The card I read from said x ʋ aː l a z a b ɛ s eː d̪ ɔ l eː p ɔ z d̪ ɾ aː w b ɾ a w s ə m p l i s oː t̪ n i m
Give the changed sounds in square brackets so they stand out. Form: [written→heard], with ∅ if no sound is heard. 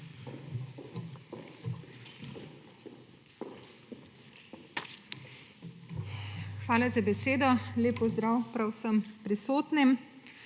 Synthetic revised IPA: x ʋ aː l a z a b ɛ s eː d̪ ɔ l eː p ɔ z d̪ ɾ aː w [b→p] ɾ a w s ə m p [l→ɾ] i s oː t̪ n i m